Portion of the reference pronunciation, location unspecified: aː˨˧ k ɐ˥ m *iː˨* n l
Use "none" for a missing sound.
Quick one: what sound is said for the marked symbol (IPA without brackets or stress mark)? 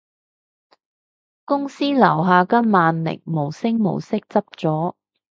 aː˨